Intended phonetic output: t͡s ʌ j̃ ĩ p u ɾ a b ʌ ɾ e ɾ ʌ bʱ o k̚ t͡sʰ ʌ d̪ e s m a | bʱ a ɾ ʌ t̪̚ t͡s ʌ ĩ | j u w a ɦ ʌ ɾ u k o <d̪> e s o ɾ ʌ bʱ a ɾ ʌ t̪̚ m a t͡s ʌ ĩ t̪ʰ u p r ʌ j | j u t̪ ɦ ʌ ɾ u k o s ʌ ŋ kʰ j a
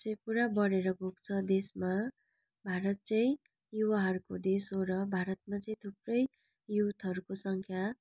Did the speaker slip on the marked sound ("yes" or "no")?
no